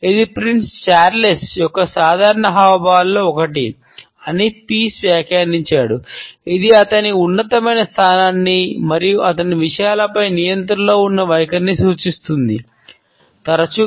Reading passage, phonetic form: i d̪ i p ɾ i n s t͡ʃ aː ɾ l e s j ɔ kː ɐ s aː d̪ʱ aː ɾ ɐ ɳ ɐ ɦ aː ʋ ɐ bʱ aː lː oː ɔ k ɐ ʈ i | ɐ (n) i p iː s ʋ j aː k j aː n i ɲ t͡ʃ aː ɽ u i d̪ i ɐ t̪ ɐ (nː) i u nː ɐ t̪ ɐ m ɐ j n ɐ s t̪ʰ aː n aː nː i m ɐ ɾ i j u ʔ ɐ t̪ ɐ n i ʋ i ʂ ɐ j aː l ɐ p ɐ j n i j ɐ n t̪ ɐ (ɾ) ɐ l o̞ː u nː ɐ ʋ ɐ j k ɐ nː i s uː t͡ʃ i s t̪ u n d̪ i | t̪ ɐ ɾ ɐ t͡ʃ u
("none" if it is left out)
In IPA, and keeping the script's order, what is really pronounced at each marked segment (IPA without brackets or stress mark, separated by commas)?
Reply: n, n, ɾ